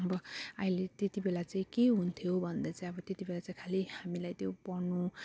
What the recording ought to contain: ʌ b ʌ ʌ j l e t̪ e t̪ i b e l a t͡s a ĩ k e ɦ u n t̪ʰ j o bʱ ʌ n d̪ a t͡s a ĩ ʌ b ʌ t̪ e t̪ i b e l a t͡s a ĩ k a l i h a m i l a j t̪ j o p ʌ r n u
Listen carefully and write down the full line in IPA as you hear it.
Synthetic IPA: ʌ b ʌ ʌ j l e t̪ e t̪ i b e l a t͡s a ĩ k e ɦ u n t̪ʰ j o bʱ ʌ n d̪ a t͡s a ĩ ʌ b ʌ t̪ e t̪ i b e l a t͡s a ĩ kʰ a l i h a m i l a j t̪ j o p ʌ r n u